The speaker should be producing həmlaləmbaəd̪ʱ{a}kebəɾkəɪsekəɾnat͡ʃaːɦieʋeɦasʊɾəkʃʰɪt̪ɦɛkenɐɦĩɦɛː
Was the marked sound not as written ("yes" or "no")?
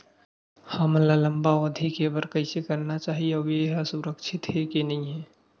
yes